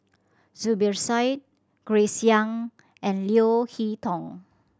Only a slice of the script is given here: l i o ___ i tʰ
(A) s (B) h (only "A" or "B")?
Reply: B